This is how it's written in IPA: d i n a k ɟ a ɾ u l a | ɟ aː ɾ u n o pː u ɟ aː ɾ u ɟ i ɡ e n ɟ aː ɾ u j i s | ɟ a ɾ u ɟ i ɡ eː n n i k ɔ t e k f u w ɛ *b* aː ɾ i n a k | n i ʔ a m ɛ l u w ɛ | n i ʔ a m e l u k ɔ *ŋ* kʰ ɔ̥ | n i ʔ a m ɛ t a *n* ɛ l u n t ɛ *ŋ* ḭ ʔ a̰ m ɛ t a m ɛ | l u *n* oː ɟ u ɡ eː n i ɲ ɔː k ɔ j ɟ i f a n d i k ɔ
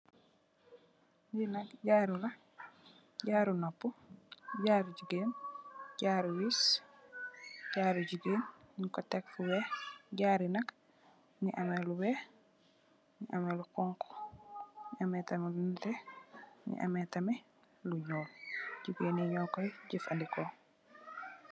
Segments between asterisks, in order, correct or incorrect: incorrect: ɟ, correct, incorrect: m, incorrect: n, incorrect: ɲ

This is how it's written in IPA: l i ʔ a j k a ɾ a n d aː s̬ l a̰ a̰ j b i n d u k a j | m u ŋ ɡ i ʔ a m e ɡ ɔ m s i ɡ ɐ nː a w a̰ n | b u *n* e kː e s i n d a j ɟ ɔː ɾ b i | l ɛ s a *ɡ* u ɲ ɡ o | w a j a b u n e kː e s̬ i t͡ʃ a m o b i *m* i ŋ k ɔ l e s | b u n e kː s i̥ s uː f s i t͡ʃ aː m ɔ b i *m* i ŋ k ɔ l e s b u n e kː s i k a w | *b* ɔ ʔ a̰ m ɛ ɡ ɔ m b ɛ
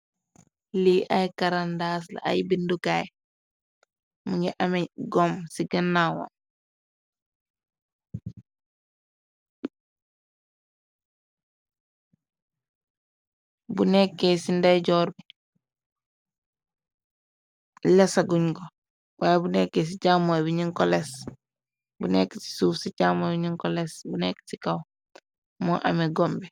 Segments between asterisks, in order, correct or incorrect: correct, correct, incorrect: ɲ, incorrect: ɲ, incorrect: m

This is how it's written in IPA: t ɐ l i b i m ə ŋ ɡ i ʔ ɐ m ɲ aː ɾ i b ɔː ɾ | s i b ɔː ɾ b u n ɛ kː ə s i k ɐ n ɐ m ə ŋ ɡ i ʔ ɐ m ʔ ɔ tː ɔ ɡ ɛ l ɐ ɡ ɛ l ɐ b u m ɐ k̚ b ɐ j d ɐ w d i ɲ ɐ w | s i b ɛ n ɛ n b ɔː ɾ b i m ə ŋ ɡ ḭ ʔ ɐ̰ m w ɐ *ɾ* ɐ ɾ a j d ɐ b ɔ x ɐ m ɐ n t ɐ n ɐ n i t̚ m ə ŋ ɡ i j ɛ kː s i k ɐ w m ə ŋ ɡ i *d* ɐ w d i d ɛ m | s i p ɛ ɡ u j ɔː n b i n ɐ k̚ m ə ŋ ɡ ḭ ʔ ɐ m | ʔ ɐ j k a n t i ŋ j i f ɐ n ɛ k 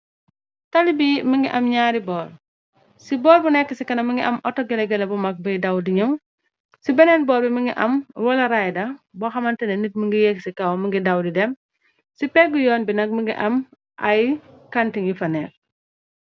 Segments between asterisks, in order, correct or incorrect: incorrect: l, correct

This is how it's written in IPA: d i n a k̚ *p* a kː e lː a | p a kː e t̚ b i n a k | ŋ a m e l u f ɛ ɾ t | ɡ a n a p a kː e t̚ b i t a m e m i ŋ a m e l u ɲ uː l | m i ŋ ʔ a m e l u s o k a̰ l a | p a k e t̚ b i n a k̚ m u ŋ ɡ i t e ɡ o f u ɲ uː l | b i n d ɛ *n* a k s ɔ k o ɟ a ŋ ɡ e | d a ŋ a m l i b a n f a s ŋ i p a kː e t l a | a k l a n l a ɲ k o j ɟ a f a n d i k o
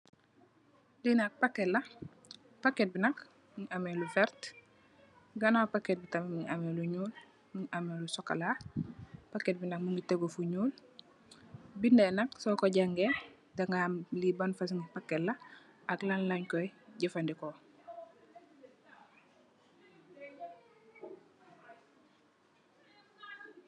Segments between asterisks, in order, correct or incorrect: correct, correct

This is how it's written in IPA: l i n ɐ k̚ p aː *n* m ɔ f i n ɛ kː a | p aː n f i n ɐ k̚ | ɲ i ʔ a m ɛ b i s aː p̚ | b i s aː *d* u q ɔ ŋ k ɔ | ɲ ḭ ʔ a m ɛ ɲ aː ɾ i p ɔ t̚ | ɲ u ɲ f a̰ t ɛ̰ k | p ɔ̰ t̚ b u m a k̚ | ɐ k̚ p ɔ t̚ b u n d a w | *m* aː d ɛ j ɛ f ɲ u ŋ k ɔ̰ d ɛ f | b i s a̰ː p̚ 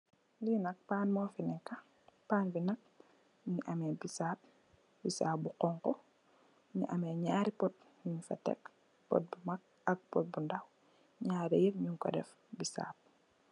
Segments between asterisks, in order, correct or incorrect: correct, incorrect: b, incorrect: ɲ

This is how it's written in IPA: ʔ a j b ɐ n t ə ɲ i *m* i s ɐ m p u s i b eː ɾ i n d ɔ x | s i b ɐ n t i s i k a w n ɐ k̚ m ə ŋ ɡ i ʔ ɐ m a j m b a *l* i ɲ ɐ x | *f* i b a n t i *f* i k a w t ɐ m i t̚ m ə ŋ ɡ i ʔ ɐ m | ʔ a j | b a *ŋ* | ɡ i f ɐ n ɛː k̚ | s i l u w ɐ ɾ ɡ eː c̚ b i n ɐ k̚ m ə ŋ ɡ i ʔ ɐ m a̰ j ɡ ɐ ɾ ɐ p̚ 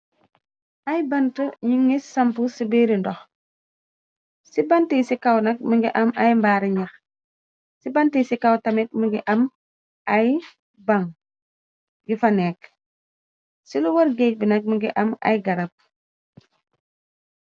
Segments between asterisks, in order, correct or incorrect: incorrect: ŋ, incorrect: ɾ, incorrect: s, incorrect: s, correct

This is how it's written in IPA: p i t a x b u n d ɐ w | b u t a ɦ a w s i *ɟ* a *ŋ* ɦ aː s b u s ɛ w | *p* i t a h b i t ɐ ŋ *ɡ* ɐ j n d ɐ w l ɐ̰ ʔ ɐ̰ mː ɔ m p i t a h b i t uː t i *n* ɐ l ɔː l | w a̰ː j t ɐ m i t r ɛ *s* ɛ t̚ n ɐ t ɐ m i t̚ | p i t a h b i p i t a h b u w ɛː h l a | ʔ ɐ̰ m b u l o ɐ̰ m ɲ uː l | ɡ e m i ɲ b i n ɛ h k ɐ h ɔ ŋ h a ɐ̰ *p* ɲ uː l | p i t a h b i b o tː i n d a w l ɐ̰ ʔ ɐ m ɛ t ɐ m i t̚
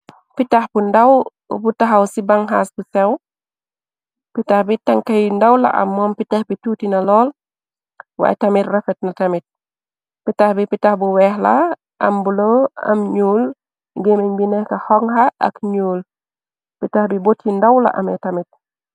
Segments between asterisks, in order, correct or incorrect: incorrect: b, correct, correct, incorrect: k, correct, incorrect: f, incorrect: k

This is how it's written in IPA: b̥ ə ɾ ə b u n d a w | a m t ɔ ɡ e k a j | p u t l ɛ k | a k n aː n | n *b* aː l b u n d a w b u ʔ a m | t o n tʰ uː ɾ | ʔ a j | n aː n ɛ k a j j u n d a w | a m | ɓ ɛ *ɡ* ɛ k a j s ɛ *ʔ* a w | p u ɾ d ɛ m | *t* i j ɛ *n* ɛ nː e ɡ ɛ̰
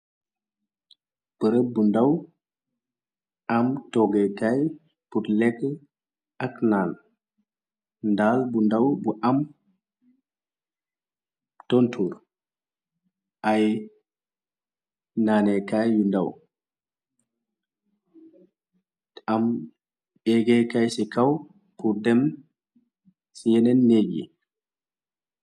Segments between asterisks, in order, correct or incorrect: incorrect: d, correct, incorrect: k, incorrect: s, correct

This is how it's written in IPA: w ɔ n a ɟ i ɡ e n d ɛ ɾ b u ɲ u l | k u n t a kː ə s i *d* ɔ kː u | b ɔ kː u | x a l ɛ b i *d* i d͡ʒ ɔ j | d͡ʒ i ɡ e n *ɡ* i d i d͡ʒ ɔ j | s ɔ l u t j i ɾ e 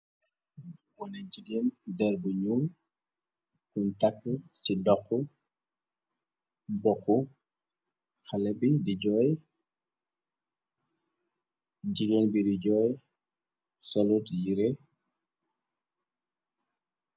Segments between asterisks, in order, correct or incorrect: correct, correct, incorrect: b

